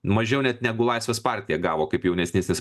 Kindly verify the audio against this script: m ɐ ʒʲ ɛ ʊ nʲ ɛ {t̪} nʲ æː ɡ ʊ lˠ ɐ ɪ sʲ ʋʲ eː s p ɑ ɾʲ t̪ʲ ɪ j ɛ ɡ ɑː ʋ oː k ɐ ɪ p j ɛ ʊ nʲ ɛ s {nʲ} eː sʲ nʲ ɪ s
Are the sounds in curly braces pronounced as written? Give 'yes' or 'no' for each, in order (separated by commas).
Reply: yes, yes